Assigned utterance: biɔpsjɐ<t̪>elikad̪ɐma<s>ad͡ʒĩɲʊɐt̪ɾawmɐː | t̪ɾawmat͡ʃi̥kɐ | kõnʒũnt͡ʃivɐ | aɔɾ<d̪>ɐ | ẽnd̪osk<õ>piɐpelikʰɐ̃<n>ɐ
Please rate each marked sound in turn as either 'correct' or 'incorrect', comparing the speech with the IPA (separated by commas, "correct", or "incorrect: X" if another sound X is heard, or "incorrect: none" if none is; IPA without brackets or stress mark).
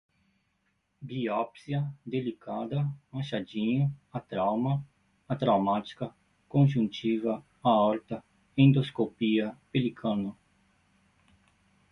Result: incorrect: d̪, incorrect: ʃ, incorrect: t̪, incorrect: o, correct